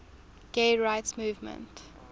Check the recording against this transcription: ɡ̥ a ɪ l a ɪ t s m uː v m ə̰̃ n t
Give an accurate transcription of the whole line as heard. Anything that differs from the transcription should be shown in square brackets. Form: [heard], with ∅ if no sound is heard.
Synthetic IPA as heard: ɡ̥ [e] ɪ [ɹ] a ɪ t s m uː v m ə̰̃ n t